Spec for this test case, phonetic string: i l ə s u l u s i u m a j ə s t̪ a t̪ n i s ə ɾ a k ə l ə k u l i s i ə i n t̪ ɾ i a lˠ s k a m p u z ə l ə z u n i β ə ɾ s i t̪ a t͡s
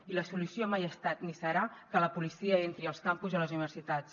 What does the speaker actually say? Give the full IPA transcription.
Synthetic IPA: i l ə s u l u s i o m a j ə s t̪ a t̪ n i s ə ɾ a k ə l ə p u l i s i ə e n t̪ ɾ i ə lˠ s k a m p u z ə l ə z u n i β ə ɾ s i t̪ a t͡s